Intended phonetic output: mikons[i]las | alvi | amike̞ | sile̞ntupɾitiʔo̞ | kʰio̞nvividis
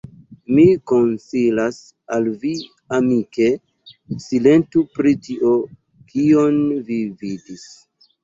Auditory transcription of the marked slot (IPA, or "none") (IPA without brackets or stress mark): i